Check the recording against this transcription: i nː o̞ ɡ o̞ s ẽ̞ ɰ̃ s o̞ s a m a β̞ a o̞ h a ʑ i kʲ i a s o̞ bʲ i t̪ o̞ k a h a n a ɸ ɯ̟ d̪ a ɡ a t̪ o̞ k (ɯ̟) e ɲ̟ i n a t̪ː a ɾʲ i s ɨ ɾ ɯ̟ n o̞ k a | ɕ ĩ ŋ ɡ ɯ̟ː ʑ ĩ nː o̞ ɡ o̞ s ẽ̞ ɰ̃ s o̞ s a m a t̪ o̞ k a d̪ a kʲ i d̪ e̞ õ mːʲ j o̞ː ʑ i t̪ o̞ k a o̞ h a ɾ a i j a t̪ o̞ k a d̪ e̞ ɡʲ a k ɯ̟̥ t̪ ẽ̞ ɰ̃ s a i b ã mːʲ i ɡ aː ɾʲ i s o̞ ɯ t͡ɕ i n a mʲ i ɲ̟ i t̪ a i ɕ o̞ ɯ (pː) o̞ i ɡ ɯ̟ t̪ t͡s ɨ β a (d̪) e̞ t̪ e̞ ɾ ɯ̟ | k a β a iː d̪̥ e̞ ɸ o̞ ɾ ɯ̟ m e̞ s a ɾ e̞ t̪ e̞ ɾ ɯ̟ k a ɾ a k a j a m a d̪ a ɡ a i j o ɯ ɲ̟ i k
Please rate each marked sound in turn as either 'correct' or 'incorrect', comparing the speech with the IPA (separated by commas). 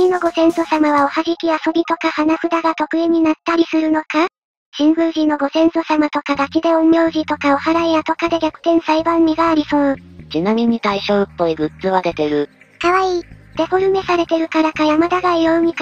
correct, correct, correct